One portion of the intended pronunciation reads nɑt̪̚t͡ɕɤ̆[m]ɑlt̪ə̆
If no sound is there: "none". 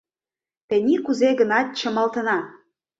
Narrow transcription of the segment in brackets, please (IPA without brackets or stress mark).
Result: m